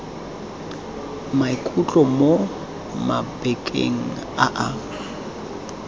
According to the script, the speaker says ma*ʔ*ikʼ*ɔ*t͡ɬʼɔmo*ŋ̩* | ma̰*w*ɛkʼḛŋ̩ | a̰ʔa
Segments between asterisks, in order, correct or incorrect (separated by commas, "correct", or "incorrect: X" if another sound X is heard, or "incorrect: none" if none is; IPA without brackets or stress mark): incorrect: none, incorrect: u, incorrect: none, incorrect: b